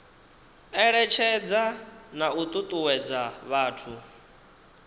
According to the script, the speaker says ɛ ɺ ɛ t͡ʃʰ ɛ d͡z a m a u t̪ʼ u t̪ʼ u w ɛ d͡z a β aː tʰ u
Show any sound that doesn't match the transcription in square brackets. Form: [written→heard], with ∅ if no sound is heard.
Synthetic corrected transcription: ɛ ɺ ɛ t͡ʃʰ ɛ d͡z a [m→n] a u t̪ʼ u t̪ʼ u w ɛ d͡z a β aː tʰ u